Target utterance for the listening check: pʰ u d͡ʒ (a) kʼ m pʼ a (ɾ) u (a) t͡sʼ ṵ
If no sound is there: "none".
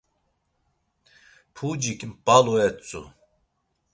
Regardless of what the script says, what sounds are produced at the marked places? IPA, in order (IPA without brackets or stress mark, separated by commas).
i, l, ɛ